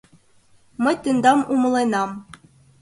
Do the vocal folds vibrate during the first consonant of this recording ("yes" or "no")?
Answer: yes